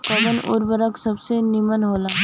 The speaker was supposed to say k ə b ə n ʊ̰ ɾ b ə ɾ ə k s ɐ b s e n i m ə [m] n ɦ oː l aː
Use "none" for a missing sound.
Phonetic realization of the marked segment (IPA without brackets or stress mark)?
none